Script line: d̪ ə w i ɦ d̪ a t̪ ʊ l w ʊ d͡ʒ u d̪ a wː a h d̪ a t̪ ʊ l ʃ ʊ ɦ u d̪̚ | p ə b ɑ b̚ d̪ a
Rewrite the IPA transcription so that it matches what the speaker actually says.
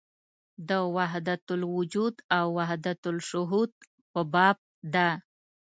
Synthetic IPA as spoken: d̪ ə w a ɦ d̪ a t̪ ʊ l w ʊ d͡ʒ u d̪ a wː a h d̪ a t̪ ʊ l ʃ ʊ ɦ u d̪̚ | p ə b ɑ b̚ d̪ a